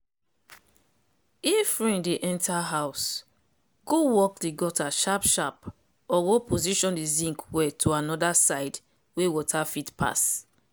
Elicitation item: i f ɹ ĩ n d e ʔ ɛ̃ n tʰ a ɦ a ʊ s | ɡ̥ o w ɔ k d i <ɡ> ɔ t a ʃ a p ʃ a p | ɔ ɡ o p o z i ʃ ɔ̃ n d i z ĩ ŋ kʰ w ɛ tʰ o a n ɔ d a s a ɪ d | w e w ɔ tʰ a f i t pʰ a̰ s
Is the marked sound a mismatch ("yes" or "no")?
no